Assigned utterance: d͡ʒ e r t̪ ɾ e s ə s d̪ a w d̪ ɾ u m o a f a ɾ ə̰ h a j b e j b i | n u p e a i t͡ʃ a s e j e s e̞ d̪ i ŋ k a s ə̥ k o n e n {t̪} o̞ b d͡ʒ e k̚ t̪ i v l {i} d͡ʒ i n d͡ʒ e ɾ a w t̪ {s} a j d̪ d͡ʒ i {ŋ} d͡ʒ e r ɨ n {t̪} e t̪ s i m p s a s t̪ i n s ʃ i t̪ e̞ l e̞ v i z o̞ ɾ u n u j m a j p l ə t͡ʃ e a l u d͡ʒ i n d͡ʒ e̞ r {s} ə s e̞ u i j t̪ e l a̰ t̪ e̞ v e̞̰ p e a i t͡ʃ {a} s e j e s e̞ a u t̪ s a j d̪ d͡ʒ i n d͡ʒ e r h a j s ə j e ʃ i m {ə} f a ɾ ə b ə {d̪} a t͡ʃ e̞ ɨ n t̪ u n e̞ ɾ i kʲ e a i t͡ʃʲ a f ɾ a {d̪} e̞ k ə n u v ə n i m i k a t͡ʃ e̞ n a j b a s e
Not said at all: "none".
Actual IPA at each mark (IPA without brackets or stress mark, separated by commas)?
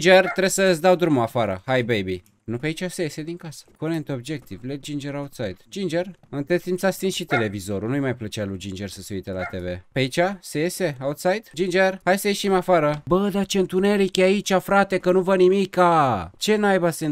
t̪, e, s, n, t̪, s, a, a, d̪, t̪